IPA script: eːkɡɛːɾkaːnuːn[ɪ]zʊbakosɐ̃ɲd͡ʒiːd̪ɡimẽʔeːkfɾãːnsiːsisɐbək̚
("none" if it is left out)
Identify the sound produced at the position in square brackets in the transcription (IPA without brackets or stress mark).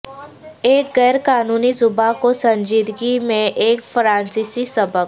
i